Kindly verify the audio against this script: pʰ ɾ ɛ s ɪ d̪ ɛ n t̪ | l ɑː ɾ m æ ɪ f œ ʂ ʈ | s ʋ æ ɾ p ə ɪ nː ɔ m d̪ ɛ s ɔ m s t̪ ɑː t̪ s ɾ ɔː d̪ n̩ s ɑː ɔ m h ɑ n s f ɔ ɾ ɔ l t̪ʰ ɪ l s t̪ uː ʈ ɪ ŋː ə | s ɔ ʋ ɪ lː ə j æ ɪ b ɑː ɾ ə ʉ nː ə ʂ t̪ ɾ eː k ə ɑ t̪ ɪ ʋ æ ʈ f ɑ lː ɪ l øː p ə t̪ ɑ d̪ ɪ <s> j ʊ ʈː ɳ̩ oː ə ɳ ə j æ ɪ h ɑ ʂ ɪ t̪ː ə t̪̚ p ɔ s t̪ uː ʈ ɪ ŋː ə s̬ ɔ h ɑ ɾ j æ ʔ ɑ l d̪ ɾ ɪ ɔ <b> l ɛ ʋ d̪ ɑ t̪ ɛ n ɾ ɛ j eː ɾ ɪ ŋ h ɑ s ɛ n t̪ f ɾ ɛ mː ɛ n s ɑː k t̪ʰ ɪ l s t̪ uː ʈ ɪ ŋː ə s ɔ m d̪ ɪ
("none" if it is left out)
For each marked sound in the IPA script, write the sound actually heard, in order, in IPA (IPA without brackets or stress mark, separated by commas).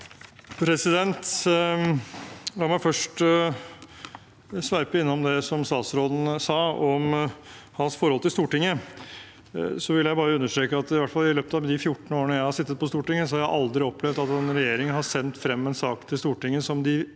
f, p